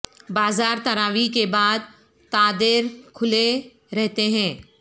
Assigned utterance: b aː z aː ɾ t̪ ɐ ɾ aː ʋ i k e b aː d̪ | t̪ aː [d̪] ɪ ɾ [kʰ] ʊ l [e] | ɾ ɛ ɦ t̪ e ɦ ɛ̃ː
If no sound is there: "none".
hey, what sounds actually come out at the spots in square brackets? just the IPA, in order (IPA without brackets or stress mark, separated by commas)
d̪, kʰ, e